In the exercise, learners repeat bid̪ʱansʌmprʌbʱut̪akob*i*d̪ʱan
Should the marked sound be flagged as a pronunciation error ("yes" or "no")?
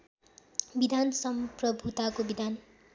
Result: no